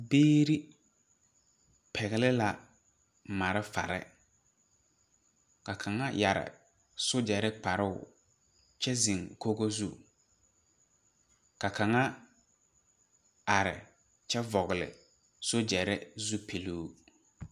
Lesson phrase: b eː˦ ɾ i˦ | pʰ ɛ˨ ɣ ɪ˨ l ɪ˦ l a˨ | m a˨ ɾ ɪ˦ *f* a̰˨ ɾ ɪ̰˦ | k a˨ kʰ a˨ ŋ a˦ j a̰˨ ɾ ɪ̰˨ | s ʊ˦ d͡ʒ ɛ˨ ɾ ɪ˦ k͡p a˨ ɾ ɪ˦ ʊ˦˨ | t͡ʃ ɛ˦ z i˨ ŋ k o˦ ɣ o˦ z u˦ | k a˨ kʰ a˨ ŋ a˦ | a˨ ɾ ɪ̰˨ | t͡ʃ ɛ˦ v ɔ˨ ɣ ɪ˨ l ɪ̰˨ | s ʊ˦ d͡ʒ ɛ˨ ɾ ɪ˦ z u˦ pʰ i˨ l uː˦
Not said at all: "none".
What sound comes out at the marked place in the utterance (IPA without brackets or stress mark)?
f